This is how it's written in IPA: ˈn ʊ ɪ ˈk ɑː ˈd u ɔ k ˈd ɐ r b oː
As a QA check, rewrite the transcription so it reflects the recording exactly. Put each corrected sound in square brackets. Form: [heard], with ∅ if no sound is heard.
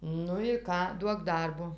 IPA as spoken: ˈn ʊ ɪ ˈk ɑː ˈd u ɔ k ˈd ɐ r b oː